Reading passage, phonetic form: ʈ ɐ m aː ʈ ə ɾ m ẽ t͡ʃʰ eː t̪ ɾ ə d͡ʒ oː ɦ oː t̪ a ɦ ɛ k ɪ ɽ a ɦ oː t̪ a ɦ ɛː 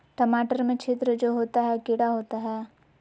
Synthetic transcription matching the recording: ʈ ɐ m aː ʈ ə ɾ m ẽ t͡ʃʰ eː t̪ ɾ ə d͡ʒ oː ɦ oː t̪ a ɦ ɛ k ɪ ɽ a ɦ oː t̪ a ɦ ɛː

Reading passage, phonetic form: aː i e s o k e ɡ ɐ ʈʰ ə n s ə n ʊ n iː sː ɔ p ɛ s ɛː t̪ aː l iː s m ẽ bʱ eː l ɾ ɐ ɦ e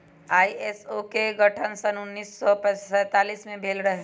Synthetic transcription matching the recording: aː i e s o k e ɡ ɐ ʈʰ ə n s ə n ʊ nː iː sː ɔ p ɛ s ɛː t̪ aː l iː s m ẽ bʱ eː l ɾ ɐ ɦ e

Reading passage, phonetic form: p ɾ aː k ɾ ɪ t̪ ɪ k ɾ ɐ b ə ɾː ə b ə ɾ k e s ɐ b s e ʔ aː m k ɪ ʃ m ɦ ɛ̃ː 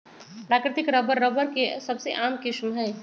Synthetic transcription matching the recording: p ɾ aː k ɾ ɪ t̪ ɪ k ɾ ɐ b ə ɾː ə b ə ɾ k e s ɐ b s e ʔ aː m k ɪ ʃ m ɦ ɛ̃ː

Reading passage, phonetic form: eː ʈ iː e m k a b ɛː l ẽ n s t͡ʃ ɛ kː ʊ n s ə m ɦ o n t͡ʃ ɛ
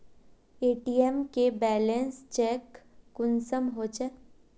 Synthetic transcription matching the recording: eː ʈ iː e m k e b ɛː l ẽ n s t͡ʃ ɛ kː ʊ n s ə m ɦ o t͡ʃ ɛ

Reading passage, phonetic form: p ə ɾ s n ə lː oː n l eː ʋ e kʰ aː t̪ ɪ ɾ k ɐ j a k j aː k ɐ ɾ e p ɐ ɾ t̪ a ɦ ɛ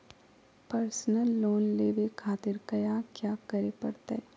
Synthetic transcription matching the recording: p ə ɾ s n ə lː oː n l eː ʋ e kʰ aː t̪ ɪ ɾ k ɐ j a k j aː k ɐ ɾ e p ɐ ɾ t̪ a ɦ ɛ

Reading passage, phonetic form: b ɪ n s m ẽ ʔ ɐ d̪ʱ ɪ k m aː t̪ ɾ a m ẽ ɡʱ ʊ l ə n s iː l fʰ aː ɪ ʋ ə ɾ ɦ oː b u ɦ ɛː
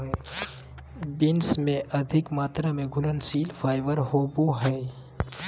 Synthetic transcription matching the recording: b ɪ n s m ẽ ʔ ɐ d̪ʱ ɪ k m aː t̪ ɾ a m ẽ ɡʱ ʊ l ə n s iː l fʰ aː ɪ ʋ ə ɾ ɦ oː b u ɦ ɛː

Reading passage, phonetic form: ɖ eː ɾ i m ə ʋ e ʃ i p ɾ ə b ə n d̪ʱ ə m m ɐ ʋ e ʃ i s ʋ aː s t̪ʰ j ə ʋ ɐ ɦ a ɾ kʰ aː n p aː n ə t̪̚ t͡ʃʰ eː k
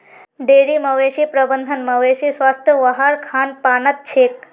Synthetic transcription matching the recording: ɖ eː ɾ i m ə ʋ e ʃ i p ɾ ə b ə n d̪ʱ ə n m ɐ ʋ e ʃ i s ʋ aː s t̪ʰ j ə ʋ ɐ ɦ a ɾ kʰ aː n p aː n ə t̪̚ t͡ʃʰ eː k

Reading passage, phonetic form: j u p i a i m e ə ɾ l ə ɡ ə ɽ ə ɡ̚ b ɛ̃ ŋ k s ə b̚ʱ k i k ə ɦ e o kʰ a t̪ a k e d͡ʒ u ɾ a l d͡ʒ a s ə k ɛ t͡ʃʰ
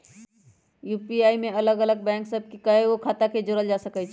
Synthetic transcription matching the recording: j u p i a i m e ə l ə ɡ ə l ə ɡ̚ b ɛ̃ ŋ k s ə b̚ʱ k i k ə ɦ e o kʰ a t̪ a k e d͡ʒ o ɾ ə l d͡ʒ a s ə k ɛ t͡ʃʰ

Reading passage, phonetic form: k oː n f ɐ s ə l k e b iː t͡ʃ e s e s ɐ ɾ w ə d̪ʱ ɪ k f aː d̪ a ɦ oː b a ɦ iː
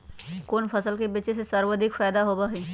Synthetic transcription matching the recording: k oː n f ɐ s ə l k e b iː t͡ʃ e s e s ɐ ɾ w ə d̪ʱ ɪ k f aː d̪ a ɦ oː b a ɦ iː

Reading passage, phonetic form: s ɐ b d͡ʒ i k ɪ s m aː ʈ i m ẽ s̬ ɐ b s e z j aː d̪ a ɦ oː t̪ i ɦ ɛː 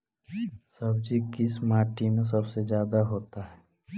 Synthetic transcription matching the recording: s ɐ b d͡ʒ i k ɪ s m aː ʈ i m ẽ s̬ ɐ b s e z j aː d̪ a ɦ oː t̪ a ɦ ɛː

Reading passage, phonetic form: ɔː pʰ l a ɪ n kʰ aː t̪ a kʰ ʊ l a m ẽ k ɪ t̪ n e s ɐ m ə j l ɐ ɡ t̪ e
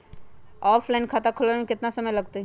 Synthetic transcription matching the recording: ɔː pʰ l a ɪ n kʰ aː t̪ a kʰ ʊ l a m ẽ k ɪ t̪ n a s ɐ m ə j l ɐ ɡ t̪ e

